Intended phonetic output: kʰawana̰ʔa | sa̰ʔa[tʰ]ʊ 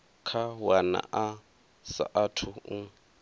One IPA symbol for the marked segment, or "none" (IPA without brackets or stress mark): tʰ